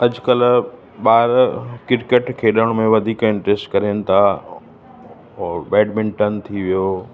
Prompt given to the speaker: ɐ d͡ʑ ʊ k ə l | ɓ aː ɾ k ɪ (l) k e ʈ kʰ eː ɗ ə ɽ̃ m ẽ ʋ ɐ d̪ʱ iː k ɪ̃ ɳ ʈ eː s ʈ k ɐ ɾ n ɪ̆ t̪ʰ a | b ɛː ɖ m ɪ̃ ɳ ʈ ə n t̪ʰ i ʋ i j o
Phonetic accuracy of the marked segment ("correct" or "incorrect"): incorrect